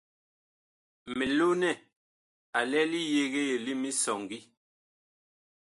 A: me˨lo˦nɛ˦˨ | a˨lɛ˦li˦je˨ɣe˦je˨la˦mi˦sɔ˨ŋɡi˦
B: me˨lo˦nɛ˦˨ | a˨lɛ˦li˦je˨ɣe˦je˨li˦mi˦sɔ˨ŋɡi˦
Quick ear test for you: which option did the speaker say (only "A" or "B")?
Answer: B